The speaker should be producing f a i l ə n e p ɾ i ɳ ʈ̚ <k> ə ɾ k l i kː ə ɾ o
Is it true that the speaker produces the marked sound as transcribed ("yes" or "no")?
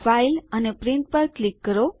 no